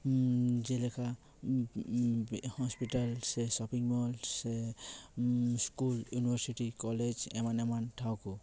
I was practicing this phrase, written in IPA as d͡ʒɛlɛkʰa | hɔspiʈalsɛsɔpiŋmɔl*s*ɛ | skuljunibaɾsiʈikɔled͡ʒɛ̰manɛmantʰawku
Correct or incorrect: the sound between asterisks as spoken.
correct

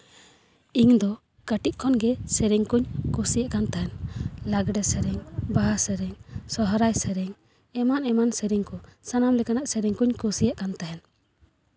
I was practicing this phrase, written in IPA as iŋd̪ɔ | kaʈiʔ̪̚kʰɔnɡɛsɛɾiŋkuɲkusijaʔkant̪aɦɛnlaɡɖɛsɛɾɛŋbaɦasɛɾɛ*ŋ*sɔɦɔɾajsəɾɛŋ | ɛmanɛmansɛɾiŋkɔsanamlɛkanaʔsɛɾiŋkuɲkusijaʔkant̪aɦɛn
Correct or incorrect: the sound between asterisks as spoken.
correct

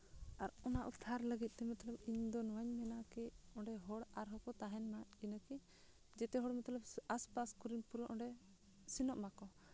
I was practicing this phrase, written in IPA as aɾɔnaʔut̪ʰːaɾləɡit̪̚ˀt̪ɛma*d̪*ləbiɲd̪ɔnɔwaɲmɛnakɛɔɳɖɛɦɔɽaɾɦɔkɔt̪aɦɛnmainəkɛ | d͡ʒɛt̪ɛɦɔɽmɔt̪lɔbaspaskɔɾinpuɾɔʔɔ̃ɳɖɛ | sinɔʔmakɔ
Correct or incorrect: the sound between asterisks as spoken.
incorrect: t̪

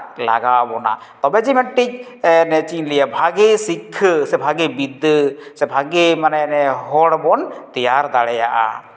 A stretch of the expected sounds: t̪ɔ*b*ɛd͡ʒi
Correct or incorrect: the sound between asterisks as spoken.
correct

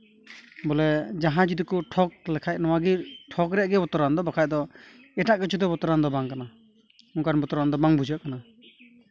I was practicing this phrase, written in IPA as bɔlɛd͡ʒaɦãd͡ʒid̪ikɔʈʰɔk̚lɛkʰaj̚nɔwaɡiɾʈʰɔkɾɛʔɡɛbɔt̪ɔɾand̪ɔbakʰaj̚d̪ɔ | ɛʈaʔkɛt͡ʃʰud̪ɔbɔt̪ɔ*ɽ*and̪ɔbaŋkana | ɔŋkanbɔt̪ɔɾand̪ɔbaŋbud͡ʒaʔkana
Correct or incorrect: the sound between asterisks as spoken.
incorrect: ɾ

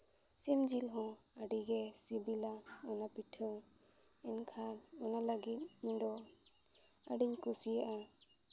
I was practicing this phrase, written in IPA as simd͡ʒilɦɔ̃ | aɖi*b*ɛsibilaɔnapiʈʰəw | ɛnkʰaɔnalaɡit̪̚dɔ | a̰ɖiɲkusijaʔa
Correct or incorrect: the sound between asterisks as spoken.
incorrect: ɡ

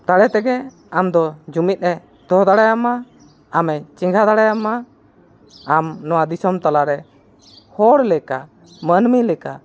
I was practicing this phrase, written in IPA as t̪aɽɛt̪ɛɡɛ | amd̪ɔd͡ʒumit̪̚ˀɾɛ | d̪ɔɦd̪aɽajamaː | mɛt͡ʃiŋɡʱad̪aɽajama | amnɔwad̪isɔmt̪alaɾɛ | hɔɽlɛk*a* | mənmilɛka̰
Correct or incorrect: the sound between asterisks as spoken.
correct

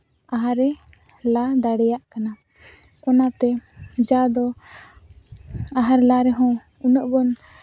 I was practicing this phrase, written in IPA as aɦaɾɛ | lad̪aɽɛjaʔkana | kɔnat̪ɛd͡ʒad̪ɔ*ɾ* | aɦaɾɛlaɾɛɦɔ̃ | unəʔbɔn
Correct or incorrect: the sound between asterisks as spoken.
incorrect: none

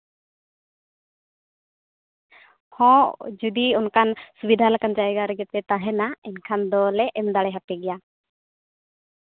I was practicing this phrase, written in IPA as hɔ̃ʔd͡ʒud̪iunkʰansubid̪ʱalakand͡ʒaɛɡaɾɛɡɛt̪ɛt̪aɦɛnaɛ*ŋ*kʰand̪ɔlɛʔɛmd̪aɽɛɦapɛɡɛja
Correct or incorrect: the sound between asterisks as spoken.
incorrect: n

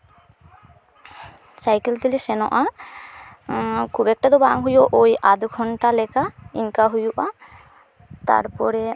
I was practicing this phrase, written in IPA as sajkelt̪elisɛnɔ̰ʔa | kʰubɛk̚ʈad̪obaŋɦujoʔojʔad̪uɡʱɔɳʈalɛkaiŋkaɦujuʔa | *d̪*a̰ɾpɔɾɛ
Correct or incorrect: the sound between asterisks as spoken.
incorrect: t̪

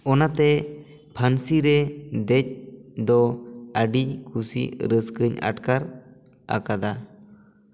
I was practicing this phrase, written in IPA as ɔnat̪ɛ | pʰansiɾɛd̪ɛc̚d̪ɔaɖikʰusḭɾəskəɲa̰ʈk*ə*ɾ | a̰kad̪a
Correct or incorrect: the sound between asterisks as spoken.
incorrect: a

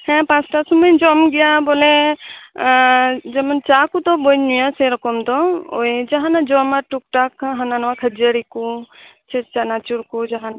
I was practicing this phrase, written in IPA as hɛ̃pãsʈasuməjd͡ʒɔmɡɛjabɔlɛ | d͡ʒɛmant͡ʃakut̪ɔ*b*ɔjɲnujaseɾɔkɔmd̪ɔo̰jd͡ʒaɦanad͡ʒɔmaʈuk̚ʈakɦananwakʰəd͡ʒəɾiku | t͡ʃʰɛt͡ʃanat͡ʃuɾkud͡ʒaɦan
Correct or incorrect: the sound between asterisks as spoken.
correct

